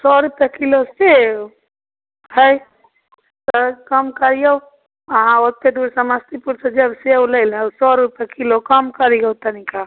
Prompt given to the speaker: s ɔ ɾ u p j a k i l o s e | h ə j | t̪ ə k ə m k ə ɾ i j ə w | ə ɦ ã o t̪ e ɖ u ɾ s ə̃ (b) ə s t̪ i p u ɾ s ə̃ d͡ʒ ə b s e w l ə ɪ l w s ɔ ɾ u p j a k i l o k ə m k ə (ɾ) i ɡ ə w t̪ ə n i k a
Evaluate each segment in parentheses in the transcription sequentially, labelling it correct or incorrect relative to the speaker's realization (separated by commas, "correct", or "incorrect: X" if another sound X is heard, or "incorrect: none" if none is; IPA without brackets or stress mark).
incorrect: m, correct